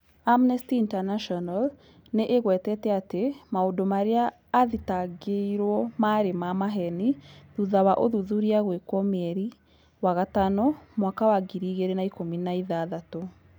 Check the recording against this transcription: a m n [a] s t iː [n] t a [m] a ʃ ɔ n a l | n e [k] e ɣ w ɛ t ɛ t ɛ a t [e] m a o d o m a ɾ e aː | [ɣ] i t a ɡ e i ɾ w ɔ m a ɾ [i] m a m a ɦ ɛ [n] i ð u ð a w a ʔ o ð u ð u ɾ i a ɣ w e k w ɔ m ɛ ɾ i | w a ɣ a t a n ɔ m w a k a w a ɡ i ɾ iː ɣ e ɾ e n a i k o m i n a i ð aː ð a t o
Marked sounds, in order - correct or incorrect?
incorrect, correct, incorrect, incorrect, correct, incorrect, incorrect, correct

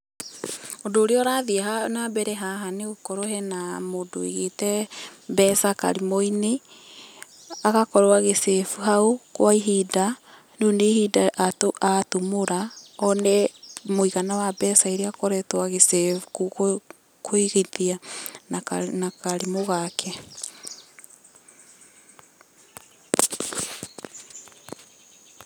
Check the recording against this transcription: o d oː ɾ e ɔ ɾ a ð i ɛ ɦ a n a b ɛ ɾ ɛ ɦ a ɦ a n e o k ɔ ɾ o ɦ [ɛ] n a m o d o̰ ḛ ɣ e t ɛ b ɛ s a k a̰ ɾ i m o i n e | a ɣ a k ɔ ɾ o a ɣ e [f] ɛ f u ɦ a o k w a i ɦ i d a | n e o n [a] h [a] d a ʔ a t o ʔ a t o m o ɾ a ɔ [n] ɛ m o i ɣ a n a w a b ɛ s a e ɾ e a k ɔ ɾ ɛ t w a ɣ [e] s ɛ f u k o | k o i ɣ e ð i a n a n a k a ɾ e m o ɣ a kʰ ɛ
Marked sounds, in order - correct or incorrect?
correct, incorrect, incorrect, incorrect, correct, correct

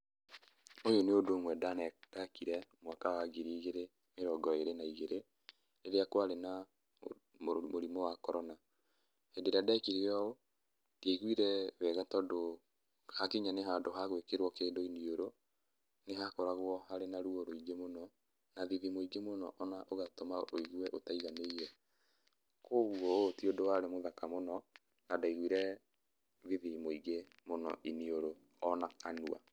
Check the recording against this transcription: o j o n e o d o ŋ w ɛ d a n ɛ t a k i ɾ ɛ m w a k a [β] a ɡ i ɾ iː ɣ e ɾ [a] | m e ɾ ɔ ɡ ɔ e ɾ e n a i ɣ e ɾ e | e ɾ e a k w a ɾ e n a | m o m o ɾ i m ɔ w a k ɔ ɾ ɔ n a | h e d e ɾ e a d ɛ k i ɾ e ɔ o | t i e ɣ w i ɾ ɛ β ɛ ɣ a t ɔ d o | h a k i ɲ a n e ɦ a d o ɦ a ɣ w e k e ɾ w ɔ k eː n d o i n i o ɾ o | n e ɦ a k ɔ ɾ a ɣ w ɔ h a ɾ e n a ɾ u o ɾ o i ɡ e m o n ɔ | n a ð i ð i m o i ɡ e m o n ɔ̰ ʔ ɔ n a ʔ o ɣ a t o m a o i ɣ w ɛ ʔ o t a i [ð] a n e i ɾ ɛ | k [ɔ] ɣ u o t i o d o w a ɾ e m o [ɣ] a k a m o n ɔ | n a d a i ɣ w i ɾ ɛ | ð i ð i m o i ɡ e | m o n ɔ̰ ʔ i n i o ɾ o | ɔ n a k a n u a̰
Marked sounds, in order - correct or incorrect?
incorrect, incorrect, incorrect, incorrect, incorrect

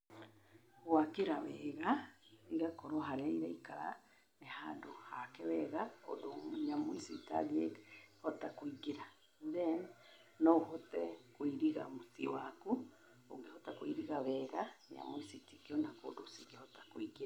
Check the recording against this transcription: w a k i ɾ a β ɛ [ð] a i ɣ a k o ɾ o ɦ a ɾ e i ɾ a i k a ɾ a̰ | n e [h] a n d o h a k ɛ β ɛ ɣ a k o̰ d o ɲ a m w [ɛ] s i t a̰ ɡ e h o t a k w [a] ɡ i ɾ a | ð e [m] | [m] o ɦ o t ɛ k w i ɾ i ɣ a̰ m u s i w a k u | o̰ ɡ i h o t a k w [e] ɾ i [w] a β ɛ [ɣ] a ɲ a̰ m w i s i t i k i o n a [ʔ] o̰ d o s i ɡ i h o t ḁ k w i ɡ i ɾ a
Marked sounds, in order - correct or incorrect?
incorrect, correct, incorrect, incorrect, incorrect, incorrect, incorrect, incorrect, correct, incorrect

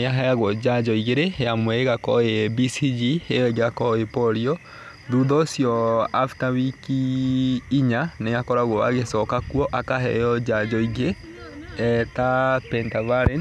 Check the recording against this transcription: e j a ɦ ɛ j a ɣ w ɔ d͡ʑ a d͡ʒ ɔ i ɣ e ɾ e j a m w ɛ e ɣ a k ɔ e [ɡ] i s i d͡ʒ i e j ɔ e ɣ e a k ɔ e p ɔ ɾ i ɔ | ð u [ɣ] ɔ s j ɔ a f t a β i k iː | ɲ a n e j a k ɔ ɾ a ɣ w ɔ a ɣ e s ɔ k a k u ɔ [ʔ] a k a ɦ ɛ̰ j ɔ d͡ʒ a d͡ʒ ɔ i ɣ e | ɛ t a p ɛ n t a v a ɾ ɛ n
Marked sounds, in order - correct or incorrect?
incorrect, incorrect, correct

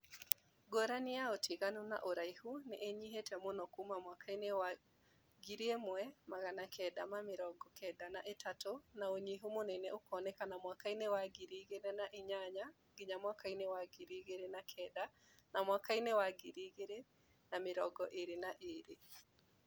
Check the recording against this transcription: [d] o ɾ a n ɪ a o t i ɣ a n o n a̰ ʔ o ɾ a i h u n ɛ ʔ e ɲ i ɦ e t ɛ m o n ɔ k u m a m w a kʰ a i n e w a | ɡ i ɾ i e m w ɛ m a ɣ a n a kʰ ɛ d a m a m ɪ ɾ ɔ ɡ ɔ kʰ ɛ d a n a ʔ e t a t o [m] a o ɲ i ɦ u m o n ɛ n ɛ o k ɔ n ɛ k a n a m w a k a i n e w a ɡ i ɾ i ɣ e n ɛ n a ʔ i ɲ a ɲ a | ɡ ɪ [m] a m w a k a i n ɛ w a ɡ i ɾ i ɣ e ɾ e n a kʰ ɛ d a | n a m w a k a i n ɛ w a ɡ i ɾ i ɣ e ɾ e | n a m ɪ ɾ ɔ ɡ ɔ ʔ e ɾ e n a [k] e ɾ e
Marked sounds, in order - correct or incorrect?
incorrect, incorrect, incorrect, incorrect

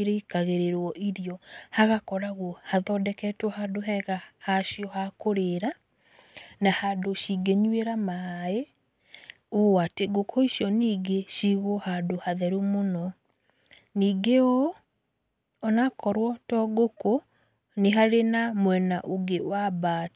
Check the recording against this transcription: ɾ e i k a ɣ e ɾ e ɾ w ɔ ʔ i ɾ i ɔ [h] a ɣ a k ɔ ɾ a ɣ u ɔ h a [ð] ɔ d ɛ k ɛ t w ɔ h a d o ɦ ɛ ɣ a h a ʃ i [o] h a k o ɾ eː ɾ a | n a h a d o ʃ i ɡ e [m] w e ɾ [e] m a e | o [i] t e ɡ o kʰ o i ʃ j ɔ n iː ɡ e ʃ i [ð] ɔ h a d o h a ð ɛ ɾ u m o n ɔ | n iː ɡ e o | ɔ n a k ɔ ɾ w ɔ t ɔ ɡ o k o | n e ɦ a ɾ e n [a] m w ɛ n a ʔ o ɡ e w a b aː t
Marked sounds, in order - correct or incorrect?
correct, correct, incorrect, incorrect, incorrect, incorrect, incorrect, correct

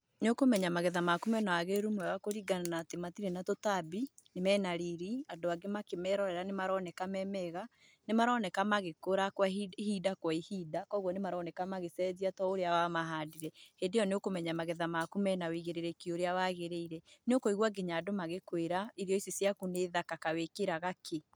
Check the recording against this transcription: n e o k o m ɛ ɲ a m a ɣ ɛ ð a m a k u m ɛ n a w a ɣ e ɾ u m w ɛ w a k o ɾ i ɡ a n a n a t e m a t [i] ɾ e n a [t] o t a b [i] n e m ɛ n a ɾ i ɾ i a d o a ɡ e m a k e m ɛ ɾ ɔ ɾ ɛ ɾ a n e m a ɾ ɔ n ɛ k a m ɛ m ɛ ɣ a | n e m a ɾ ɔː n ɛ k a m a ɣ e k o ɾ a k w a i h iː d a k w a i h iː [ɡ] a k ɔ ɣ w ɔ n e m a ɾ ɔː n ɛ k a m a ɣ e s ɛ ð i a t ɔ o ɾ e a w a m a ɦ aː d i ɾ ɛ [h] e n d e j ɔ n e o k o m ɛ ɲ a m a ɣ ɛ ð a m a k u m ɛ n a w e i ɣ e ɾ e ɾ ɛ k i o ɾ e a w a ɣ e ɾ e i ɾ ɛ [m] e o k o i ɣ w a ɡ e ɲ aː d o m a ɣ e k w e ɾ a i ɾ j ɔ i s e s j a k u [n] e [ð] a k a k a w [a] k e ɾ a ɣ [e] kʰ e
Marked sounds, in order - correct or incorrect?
correct, correct, correct, incorrect, correct, incorrect, correct, correct, incorrect, incorrect

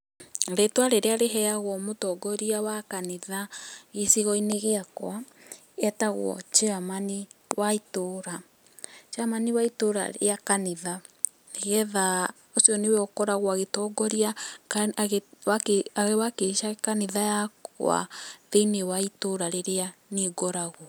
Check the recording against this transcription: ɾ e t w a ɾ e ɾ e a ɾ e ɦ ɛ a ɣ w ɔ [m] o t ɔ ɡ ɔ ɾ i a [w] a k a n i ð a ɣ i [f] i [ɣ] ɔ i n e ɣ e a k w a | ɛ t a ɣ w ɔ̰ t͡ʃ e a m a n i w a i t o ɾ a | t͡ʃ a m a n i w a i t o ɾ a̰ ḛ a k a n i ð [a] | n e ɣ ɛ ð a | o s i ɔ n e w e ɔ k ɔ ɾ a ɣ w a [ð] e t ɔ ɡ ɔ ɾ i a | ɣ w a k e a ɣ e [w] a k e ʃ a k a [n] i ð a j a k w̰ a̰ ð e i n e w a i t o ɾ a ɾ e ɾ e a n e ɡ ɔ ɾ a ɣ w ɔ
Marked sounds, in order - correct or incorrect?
correct, correct, incorrect, correct, correct, incorrect, correct, correct

